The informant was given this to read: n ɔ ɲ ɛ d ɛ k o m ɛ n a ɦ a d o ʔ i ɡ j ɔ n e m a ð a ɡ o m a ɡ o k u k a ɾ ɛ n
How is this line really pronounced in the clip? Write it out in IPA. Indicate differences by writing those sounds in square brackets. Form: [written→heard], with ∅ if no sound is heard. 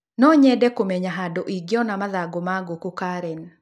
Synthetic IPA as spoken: n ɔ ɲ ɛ d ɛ k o m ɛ [n→ɲ] a ɦ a d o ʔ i ɡ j ɔ n [e→a] m a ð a ɡ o m a ɡ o k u k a ɾ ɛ n